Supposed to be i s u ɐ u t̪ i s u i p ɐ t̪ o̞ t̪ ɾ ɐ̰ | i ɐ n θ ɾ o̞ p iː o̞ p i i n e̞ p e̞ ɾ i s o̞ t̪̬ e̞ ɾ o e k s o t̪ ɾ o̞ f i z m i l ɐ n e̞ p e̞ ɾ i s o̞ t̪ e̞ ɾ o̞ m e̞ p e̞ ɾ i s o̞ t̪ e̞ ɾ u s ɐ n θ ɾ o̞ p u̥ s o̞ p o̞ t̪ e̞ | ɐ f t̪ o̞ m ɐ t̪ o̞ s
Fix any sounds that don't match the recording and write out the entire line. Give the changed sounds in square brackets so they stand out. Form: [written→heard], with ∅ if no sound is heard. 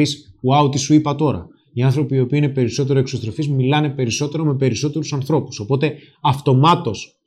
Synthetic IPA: i s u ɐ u t̪ i s u i p ɐ t̪ o̞ [t̪→∅] ɾ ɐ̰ | i ɐ n θ ɾ o̞ p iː o̞ p i i n e̞ p e̞ ɾ i s o̞ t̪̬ e̞ ɾ o e k s o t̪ ɾ o̞ f i z m i l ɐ n e̞ p e̞ ɾ i s o̞ t̪ e̞ ɾ o̞ m e̞ p e̞ ɾ i s o̞ t̪ e̞ ɾ u s ɐ n θ ɾ o̞ p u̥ s o̞ p o̞ t̪ e̞ | ɐ f t̪ o̞ m ɐ t̪ o̞ s